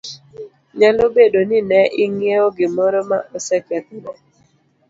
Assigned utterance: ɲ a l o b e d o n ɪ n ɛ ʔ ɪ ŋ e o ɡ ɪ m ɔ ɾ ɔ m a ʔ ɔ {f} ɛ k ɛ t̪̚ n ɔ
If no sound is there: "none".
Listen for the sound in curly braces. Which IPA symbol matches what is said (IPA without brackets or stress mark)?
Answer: s